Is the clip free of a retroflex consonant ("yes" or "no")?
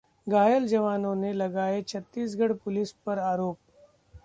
no